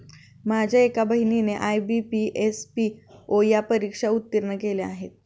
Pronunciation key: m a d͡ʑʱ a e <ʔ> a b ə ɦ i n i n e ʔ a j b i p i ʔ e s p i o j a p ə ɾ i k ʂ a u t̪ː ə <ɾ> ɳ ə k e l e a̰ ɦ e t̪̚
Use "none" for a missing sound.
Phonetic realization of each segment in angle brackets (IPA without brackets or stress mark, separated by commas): k, ɾ